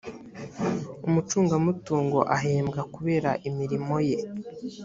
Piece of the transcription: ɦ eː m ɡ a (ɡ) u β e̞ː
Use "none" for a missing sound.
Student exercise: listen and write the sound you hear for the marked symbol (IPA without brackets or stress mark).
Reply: k